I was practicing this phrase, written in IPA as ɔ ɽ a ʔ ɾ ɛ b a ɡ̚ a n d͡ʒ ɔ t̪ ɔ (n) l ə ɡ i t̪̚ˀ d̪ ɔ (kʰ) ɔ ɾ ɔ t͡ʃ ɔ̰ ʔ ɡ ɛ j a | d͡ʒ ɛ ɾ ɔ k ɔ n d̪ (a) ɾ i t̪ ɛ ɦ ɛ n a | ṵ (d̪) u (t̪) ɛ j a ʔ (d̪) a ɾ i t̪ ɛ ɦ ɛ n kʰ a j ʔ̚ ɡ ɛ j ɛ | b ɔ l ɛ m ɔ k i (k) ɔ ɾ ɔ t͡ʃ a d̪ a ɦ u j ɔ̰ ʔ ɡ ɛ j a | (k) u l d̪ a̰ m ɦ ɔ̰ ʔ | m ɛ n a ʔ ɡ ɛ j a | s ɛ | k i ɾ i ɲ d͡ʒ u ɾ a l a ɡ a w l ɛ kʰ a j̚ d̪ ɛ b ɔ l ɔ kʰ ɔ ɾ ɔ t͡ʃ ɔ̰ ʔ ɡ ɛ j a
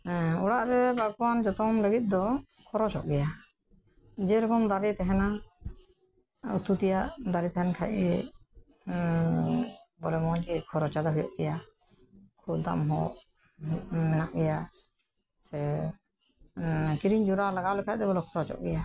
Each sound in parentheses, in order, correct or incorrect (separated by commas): incorrect, correct, correct, incorrect, correct, correct, incorrect, incorrect